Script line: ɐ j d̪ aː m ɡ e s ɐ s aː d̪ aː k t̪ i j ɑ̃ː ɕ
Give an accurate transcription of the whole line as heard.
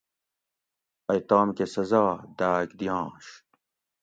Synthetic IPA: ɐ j t̪ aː m k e s ɐ z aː d̪ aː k d̪ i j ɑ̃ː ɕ